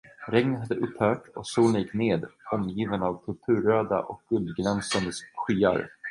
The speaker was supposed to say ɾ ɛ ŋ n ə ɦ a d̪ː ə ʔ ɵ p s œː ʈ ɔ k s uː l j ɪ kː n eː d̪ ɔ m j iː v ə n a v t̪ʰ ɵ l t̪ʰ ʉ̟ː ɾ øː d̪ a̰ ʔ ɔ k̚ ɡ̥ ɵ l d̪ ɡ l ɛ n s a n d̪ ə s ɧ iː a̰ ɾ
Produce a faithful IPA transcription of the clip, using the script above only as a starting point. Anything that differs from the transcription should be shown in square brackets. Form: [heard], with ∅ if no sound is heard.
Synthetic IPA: ɾ ɛ ŋ n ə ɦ a d̪ː ə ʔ ɵ p [h] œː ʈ ɔ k s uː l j ɪ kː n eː d̪ ɔ m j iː v ə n a v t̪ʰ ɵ l t̪ʰ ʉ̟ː ɾ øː d̪ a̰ ʔ ɔ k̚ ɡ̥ ɵ l d̪ ɡ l ɛ n s a n d̪ ə s ɧ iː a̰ ɾ

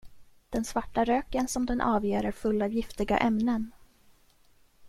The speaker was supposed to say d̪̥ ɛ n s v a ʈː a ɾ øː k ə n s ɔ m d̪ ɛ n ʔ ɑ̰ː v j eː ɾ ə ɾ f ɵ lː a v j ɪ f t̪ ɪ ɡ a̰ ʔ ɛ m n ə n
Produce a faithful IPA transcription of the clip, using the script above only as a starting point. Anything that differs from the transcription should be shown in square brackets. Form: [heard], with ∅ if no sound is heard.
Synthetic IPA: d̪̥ ɛ n s v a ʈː a ɾ øː k ə n s ɔ m d̪ ɛ n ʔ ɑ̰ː v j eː ɾ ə ɾ f ɵ lː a v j ɪ f t̪ ɪ ɡ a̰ ʔ ɛ m n ə n

